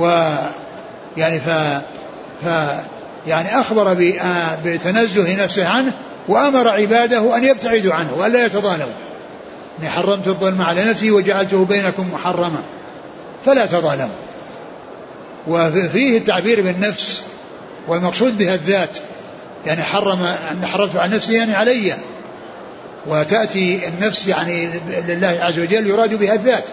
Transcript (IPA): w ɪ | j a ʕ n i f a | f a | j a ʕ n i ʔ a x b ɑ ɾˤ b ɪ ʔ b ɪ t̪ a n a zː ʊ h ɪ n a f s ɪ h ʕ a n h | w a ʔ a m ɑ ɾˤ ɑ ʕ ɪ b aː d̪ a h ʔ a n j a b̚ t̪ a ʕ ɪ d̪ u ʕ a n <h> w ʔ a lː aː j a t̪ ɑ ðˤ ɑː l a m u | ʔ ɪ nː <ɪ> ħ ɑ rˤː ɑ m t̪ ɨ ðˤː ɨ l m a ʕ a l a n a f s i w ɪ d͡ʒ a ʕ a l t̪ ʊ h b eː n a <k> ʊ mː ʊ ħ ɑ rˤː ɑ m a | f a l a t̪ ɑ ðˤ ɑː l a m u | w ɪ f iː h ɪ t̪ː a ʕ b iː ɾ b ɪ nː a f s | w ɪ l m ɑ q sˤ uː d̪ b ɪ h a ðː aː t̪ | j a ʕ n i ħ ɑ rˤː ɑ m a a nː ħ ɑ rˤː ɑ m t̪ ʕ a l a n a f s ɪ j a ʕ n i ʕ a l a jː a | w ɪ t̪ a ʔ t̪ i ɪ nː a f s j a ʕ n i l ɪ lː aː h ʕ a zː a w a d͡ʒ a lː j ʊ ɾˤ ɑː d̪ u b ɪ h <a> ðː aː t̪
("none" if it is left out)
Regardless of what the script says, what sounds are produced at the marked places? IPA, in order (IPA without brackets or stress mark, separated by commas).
h, i, k, a